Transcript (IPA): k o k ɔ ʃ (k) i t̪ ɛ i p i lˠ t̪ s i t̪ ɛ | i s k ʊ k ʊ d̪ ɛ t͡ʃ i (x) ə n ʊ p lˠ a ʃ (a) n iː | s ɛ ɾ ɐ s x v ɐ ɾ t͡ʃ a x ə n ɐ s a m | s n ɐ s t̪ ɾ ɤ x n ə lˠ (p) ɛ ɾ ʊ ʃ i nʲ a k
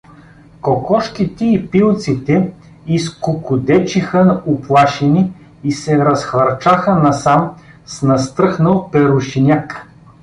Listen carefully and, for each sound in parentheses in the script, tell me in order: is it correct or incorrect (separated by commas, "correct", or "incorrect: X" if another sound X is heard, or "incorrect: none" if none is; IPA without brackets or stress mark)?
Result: correct, correct, incorrect: ɛ, correct